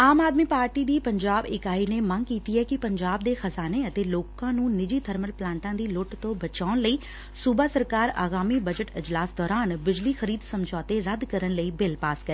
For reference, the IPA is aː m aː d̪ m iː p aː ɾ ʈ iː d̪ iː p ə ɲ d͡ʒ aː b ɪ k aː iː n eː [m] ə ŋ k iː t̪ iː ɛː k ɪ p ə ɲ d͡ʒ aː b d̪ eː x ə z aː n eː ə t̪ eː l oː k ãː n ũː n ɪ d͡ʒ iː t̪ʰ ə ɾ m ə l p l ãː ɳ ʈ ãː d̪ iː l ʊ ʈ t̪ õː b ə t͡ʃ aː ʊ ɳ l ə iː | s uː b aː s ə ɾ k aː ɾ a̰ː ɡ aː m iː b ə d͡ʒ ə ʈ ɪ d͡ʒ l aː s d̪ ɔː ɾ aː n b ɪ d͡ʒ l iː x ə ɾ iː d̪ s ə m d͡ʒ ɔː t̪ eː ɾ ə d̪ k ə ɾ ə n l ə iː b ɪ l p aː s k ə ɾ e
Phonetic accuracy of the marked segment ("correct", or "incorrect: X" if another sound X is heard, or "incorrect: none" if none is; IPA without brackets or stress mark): correct